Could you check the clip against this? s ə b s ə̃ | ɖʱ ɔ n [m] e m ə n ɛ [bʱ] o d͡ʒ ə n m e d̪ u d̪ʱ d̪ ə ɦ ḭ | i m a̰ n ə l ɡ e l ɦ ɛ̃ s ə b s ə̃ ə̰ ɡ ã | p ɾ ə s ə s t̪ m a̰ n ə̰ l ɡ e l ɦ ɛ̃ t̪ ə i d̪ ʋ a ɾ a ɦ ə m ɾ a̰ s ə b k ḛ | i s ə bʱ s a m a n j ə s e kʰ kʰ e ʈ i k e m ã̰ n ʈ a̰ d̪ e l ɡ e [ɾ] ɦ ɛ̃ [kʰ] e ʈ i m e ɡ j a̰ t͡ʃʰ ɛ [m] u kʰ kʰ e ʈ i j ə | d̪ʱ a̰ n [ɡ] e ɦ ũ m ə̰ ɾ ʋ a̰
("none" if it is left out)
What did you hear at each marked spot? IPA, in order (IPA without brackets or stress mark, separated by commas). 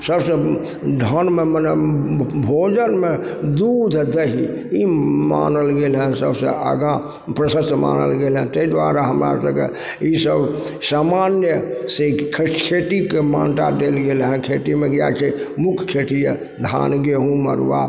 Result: m, bʱ, l, kʰ, m, ɡ